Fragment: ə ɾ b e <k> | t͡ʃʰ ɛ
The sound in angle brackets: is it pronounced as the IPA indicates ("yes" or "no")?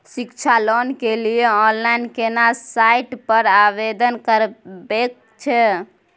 yes